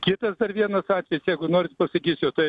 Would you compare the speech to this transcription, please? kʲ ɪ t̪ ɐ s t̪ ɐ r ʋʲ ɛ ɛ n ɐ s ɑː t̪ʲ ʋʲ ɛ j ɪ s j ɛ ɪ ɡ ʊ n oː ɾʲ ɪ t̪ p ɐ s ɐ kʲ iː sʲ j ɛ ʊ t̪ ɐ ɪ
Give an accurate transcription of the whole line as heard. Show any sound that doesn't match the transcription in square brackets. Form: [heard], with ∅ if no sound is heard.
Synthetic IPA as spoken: kʲ ɪ t̪ ɐ s [d̪] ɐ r ʋʲ [i] ɛ n ɐ s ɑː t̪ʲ ʋʲ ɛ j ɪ s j ɛ ɪ ɡ ʊ n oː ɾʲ ɪ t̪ p ɐ s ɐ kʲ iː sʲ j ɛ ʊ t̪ ɐ ɪ